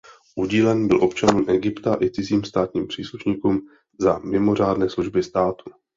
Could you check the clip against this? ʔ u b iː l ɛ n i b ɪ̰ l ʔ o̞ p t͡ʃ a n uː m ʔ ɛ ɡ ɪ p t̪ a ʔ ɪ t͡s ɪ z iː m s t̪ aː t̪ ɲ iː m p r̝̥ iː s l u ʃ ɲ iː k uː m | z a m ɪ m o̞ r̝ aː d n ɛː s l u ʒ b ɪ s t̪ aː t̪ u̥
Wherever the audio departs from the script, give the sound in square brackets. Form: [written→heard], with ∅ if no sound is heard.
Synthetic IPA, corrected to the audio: ʔ u [b→ɟ] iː l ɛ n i b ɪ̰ l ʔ o̞ p t͡ʃ a n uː m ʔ ɛ ɡ ɪ p t̪ a ʔ ɪ t͡s ɪ z iː m s t̪ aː t̪ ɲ iː m p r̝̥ iː s l u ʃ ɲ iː k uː m | z a m ɪ m o̞ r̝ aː d n ɛː s l u ʒ b ɪ s t̪ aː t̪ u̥